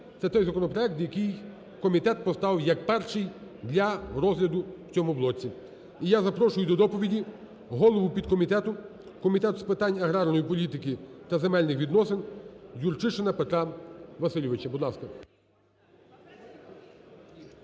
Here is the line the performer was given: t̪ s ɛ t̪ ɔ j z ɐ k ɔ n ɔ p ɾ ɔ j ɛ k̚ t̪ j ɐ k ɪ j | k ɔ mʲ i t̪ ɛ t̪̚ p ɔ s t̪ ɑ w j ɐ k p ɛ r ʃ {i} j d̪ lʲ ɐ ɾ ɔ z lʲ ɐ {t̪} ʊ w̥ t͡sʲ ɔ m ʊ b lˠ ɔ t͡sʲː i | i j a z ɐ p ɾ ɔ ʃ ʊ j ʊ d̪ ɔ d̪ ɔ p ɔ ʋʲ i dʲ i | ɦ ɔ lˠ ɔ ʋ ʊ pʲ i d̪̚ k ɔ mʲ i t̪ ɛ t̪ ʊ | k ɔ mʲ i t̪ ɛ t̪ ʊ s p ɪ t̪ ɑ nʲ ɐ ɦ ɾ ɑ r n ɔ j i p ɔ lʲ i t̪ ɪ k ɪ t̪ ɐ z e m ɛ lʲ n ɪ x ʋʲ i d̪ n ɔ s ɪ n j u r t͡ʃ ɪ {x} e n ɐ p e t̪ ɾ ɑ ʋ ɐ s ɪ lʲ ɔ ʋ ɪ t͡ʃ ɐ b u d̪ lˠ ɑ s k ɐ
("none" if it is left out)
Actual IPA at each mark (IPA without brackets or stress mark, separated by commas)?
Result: ɪ, d̪, ʃ